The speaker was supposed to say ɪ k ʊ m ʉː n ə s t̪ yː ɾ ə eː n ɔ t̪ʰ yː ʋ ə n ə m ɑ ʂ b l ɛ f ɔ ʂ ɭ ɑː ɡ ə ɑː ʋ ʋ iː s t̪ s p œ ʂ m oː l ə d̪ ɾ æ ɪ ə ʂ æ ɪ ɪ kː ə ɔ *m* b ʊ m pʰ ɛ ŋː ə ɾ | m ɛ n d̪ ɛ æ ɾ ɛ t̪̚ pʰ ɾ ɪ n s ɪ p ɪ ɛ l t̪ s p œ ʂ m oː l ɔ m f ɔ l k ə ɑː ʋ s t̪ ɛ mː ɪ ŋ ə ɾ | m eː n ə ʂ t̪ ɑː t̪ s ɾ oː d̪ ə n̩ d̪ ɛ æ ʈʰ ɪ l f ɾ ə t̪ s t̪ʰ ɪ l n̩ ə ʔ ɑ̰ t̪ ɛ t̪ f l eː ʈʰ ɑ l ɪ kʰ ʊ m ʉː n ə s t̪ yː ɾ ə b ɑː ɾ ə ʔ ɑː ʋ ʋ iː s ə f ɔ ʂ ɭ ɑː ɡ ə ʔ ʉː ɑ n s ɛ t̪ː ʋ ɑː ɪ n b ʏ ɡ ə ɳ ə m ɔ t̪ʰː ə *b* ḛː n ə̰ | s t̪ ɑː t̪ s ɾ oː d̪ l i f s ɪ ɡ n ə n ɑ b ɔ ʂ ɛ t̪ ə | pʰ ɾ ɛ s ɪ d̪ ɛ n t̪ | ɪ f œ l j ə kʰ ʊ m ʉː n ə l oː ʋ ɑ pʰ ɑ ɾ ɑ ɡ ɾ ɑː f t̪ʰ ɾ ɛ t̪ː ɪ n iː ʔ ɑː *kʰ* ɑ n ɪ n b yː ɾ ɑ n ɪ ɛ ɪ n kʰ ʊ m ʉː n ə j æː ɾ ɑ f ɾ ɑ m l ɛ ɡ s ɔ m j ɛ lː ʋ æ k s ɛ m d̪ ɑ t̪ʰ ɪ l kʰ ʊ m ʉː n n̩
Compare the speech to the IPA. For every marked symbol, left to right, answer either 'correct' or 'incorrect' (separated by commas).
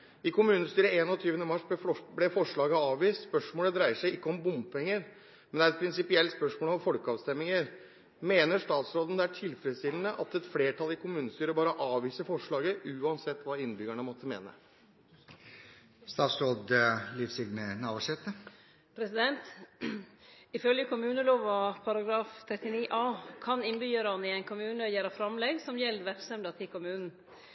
correct, incorrect, correct